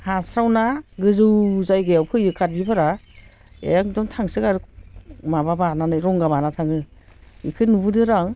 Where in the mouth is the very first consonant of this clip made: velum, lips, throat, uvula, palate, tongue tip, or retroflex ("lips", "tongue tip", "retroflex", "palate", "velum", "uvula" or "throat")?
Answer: throat